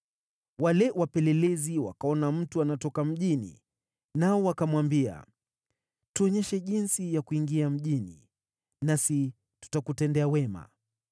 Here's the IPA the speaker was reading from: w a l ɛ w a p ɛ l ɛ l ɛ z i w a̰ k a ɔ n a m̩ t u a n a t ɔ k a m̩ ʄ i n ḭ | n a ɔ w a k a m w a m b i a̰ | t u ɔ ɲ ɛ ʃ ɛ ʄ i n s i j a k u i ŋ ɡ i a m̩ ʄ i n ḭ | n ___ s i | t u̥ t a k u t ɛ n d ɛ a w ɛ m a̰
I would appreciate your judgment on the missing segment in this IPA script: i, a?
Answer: a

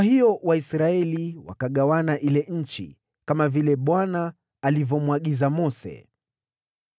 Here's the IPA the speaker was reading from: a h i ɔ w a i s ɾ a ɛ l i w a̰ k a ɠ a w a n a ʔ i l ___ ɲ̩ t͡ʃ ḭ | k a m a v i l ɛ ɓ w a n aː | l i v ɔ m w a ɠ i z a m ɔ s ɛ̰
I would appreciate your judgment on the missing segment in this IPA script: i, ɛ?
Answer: ɛ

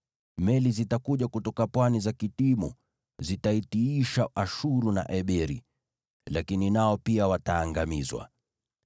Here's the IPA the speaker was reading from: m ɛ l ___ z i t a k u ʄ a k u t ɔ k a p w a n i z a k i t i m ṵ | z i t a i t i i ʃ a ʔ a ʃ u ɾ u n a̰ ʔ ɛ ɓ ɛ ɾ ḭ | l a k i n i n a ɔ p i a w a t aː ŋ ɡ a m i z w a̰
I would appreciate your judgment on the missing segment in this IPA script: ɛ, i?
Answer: i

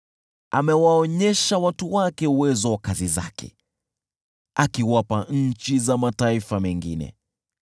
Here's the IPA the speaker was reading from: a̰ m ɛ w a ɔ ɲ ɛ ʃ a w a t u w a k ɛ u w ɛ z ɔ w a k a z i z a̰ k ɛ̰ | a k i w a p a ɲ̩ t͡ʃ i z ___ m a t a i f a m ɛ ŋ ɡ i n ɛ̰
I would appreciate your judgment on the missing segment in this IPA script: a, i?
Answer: a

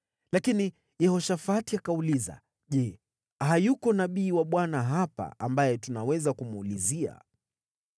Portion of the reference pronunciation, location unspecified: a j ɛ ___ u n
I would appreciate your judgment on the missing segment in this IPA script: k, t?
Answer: t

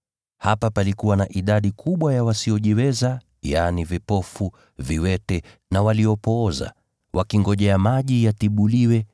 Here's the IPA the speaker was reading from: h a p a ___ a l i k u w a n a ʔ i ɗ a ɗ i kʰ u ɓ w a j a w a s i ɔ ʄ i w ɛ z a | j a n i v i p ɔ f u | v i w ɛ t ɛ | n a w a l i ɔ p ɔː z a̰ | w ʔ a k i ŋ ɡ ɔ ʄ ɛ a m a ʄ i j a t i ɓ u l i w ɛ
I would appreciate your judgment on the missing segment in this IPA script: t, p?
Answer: p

